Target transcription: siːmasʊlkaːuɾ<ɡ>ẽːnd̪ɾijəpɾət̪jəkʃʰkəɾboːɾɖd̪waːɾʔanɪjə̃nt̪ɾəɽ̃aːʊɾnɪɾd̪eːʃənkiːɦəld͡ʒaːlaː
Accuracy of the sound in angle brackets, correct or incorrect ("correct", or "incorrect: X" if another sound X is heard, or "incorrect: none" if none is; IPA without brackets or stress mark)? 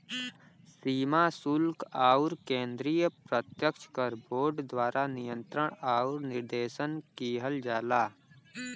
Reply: incorrect: k